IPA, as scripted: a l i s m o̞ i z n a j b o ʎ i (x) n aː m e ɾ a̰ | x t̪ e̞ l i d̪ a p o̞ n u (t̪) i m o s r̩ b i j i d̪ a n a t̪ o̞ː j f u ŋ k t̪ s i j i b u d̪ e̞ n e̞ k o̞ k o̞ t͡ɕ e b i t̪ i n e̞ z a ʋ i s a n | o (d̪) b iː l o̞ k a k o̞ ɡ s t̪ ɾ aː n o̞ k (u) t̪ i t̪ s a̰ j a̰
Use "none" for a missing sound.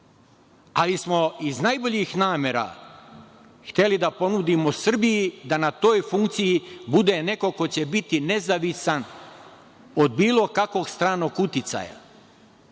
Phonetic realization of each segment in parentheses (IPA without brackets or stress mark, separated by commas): x, d̪, d̪, u